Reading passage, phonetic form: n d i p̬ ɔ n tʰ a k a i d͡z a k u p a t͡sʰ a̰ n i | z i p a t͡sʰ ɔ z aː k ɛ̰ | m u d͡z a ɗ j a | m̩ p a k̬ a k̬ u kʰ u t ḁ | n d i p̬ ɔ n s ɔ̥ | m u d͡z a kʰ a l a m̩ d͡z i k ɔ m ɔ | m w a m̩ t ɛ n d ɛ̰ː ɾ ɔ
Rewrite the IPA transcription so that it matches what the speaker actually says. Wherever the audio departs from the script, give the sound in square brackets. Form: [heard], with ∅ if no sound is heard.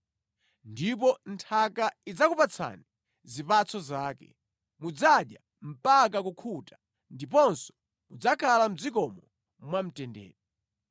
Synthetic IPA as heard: n d i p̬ ɔ n tʰ a k a i d͡z a k u p a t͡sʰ a̰ n i | z i p a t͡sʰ ɔ z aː k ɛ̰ | m u d͡z a ɗ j a | m̩ p a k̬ a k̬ u kʰ u t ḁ | n d i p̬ ɔ n s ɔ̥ | m u d͡z a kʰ a l a m̩ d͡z i k ɔ m ɔ | m w a m̩ t ɛ n d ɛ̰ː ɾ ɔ